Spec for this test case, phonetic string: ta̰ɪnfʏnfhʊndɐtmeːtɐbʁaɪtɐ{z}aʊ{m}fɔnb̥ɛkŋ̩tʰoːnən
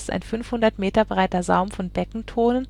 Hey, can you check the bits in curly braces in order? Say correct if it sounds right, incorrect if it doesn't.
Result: correct, correct

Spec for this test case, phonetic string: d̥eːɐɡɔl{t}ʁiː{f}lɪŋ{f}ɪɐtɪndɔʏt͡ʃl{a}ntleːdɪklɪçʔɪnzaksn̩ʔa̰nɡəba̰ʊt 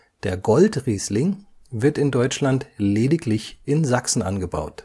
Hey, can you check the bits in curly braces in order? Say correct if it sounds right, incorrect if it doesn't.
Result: correct, incorrect: s, incorrect: v, correct

